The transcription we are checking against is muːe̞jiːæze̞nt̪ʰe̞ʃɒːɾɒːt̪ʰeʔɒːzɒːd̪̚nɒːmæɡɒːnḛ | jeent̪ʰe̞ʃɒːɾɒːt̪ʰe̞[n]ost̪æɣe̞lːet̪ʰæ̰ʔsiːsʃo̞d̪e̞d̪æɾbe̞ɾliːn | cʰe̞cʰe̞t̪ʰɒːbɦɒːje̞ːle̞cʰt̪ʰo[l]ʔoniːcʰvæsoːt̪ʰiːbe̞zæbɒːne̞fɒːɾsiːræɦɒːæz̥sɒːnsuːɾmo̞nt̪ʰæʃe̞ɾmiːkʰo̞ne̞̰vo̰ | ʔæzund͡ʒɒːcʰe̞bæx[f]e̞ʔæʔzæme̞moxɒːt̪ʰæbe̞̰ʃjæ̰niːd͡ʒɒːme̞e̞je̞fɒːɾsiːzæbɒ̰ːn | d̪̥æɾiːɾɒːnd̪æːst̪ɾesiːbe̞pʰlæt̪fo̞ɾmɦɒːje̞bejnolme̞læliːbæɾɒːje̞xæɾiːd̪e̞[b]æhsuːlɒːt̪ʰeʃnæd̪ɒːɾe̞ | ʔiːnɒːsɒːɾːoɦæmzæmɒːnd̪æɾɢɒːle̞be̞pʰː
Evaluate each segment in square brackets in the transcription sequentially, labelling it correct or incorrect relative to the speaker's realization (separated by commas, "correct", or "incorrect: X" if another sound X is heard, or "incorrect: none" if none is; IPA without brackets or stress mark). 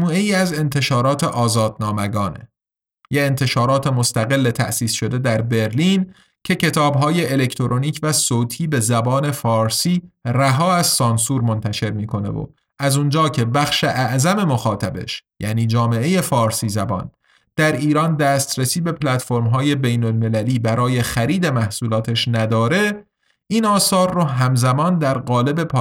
incorrect: m, incorrect: ɾ, incorrect: ʃ, incorrect: m